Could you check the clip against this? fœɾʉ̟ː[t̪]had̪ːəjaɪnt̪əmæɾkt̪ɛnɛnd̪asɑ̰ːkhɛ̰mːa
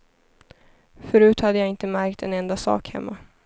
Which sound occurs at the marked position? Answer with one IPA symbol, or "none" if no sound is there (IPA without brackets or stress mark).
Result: t̪